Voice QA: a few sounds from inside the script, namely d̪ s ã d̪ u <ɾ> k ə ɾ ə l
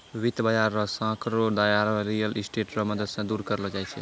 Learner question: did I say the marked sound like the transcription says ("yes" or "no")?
yes